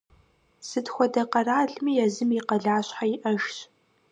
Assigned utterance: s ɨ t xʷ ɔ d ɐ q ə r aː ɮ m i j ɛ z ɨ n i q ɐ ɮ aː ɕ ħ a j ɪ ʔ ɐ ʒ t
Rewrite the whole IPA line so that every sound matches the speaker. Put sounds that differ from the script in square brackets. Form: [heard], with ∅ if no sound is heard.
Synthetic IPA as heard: s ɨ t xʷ ɔ d ɐ q [ɐ] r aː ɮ m i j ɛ z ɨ [m] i q ɐ ɮ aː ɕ ħ a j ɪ ʔ ɐ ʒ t